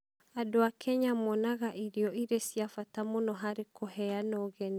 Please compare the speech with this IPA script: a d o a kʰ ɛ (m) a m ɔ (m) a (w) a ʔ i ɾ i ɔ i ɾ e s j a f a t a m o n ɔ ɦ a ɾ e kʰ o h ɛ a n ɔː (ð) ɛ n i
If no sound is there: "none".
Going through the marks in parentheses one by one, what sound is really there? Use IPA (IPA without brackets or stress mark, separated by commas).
ɲ, n, ɣ, ɣ